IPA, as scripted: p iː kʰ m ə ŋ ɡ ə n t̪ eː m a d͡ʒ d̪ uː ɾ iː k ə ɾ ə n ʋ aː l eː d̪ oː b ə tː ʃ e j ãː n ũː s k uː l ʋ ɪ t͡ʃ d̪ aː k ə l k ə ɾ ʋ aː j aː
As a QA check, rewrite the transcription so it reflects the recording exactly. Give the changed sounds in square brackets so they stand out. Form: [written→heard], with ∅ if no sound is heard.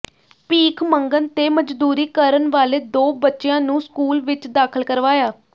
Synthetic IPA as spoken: p iː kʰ m ə ŋ ɡ ə n t̪ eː m [a→ə] d͡ʒ d̪ uː ɾ iː k ə ɾ ə n ʋ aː l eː d̪ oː b ə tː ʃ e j ãː n ũː s k uː l ʋ ɪ t͡ʃ d̪ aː [k→kʰ] ə l k ə ɾ ʋ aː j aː